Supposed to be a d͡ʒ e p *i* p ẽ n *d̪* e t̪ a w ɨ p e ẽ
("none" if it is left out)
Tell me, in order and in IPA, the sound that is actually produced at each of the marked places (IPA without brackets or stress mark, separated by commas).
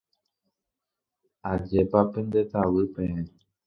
a, d̪